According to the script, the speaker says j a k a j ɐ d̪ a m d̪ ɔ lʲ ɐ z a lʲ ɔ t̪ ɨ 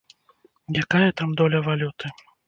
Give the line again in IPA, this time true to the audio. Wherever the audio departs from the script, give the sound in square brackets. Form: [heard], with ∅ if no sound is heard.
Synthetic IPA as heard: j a k a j ɐ [t̪] a m d̪ ɔ lʲ ɐ [v] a lʲ [u] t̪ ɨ